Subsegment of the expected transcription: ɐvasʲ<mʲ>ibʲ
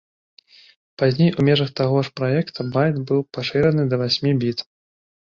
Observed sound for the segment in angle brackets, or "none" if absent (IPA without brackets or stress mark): mʲ